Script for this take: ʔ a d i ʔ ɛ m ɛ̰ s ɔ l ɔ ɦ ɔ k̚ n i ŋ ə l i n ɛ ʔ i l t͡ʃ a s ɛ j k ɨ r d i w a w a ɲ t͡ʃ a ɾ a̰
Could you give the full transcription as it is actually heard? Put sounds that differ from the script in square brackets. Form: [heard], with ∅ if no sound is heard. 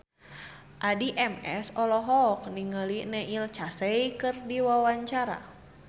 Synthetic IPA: ʔ a d i ʔ ɛ m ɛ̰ s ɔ l ɔ ɦ ɔ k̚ n i ŋ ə l i n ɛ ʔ i l t͡ʃ a s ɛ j k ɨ r d i w a w a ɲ t͡ʃ a ɾ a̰